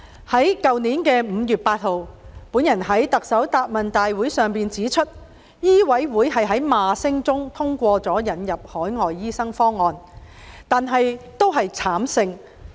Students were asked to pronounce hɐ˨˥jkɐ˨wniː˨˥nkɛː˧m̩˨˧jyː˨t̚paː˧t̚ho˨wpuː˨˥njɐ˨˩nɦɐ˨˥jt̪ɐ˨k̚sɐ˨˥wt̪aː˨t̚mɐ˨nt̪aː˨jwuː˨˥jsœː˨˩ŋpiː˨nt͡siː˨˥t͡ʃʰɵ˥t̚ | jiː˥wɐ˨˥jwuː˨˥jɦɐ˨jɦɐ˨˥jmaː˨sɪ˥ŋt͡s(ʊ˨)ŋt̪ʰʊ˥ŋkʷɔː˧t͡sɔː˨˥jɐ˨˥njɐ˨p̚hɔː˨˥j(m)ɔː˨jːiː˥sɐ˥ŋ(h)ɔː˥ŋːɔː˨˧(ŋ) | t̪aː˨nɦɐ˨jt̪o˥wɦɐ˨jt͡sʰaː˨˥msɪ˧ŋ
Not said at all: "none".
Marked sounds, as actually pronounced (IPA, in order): ʊ˥, ŋ, f, n

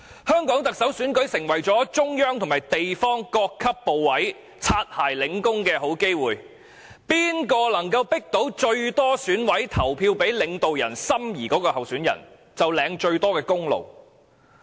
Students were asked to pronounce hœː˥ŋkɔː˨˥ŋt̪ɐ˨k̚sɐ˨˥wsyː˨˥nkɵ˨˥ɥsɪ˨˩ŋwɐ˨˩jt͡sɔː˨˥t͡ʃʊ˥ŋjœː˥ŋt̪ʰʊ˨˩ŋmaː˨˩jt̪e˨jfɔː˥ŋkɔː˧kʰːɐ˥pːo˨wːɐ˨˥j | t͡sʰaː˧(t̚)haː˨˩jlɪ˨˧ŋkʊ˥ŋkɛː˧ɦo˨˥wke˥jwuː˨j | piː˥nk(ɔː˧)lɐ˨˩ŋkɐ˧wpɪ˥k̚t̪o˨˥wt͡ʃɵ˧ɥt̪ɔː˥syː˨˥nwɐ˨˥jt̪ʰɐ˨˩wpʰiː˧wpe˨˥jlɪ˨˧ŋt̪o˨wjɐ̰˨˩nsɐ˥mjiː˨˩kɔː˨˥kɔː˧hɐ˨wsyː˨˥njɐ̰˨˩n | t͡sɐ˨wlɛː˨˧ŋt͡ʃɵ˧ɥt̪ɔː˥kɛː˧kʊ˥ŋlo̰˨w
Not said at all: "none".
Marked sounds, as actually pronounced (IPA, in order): t̚, ɔː˧

